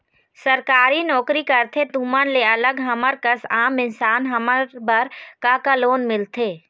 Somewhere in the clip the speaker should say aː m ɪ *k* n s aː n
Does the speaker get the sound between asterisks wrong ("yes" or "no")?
yes